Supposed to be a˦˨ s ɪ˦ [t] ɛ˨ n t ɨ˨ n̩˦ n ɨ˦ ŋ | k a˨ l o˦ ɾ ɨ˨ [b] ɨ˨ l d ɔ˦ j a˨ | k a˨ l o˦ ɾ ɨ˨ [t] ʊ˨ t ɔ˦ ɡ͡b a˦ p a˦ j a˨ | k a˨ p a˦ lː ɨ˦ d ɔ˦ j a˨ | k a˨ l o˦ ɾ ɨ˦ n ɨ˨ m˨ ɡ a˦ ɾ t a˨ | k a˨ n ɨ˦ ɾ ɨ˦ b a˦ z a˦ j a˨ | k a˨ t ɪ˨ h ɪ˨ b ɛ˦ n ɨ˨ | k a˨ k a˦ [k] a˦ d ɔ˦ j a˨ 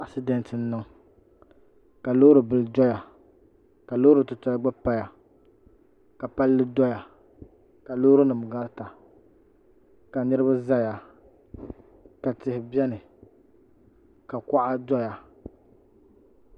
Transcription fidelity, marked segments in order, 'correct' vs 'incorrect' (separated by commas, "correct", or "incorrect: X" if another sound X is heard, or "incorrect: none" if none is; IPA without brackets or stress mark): incorrect: d, correct, correct, incorrect: ʔ